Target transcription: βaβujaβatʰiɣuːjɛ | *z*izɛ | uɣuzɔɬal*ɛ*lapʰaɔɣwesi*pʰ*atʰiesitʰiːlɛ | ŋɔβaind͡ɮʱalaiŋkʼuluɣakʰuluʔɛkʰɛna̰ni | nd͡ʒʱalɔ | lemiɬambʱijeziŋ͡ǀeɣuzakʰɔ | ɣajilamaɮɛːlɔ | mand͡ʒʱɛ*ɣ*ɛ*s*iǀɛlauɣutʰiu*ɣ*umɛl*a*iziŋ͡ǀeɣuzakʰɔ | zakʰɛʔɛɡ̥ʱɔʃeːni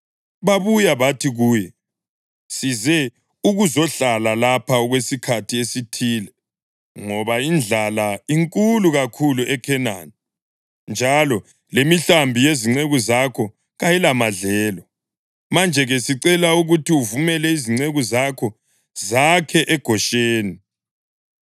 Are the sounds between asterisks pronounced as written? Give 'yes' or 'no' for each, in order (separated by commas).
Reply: no, no, no, yes, yes, no, no